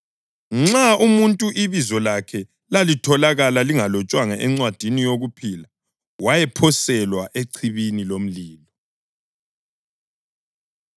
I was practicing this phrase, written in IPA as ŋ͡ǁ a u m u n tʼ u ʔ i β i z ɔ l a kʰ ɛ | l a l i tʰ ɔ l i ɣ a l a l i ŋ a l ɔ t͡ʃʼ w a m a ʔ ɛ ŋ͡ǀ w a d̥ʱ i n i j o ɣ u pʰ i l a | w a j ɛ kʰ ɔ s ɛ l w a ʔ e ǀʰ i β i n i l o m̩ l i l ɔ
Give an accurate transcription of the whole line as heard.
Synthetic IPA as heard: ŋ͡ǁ a u m u n tʼ u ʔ i β i z ɔ l a kʰ ɛ | l a l i tʰ ɔ l a ɣ a l a l i ŋ a l ɔ t͡ʃʼ w a ŋ a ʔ ɛ ŋ͡ǀ w a d̥ʱ i n i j o ɣ u pʰ i l a | w a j ɛ pʰ ɔ s ɛ l w a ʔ e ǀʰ i β i n i l o m̩ l iː l ɔ